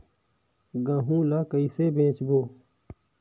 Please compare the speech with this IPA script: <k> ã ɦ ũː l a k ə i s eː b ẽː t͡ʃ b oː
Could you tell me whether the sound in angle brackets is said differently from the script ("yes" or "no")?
yes